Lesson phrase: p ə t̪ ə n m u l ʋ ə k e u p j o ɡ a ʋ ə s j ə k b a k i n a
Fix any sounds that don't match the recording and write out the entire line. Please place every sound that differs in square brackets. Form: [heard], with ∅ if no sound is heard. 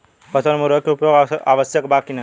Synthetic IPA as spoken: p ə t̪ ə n m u [ɾ] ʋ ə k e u p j o ɡ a ʋ ə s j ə k b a k i n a